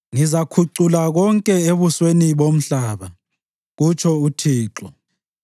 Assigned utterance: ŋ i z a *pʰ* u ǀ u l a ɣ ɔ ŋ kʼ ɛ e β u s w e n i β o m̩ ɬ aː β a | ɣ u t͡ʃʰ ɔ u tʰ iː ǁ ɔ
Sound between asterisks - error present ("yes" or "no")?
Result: yes